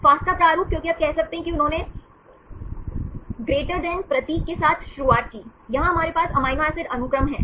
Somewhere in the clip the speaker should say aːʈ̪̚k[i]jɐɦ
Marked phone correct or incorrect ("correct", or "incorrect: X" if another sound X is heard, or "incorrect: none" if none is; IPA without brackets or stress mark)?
incorrect: iː